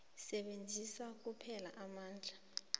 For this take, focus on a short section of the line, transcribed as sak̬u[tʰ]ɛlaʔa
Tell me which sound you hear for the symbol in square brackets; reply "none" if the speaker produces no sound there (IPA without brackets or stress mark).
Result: pʰ